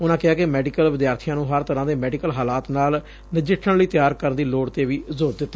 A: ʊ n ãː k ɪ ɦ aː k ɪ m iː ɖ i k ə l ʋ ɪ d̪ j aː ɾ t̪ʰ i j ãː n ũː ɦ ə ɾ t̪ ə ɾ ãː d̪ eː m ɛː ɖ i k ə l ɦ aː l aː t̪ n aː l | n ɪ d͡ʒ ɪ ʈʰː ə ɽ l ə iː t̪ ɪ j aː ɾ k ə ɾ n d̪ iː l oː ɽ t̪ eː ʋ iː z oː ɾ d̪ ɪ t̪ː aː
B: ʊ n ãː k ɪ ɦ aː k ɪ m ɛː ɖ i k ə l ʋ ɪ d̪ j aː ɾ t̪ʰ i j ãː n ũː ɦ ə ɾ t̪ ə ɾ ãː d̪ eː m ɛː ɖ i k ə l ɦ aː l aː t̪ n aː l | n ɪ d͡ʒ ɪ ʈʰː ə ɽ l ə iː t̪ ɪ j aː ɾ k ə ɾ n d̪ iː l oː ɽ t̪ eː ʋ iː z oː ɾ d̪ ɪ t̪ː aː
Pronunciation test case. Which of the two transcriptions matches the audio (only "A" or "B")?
B